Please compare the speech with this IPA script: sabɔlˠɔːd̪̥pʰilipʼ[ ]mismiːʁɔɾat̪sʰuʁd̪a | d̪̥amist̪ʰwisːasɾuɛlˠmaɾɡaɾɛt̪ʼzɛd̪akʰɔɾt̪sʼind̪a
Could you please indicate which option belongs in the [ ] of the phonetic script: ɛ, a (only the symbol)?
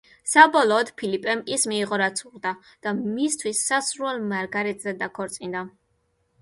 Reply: ɛ